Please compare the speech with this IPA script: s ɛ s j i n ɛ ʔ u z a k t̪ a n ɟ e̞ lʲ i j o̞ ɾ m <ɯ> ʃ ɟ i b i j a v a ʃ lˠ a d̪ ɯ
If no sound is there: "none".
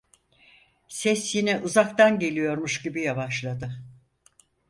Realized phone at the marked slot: u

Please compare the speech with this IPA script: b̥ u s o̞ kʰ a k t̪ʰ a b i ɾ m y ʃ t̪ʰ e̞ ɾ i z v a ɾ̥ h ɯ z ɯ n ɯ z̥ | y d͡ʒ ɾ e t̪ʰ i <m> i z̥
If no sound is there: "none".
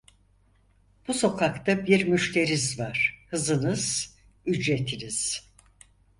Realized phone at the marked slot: n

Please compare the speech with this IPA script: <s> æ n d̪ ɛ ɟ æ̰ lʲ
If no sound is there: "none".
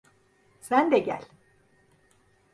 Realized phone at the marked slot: s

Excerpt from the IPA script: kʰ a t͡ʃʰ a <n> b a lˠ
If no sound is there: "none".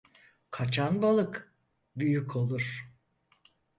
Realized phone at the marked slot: n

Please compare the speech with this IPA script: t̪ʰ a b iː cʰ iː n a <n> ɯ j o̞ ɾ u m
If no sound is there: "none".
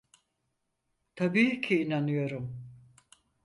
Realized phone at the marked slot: n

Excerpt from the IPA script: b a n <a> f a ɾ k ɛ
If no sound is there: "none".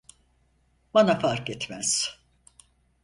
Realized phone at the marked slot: a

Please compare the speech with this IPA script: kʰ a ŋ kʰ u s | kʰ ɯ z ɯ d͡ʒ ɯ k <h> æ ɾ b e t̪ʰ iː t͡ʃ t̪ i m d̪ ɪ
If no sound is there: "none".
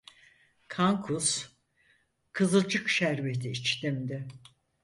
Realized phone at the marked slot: ʃ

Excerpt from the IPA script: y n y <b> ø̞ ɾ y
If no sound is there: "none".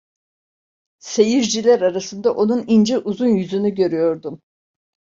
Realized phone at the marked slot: ɟ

